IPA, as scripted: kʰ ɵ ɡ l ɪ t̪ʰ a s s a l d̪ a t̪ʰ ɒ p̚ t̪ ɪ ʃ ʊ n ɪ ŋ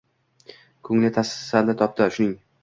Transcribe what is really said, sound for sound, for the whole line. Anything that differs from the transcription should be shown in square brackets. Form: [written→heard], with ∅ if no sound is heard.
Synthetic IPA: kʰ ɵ [ɡ→ŋ] l ɪ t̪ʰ a s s a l d̪ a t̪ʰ ɒ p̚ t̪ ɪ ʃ ʊ n ɪ ŋ